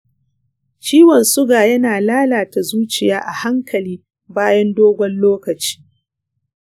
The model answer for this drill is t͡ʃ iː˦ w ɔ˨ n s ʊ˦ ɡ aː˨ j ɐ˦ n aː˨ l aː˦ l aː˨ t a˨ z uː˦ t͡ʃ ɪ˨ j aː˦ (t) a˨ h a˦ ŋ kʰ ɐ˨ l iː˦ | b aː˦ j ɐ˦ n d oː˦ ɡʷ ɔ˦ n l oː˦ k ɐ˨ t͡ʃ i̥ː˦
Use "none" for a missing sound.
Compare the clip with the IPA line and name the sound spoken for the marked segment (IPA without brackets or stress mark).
ʔ